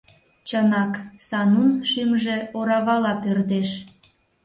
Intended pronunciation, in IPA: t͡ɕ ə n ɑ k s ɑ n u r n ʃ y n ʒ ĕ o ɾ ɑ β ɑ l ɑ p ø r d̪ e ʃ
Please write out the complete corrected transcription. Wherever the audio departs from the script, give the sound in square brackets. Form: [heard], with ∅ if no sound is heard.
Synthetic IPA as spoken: t͡ɕ ə n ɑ k s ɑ n u [∅] n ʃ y [m] ʒ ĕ o ɾ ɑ β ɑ l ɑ p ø r d̪ e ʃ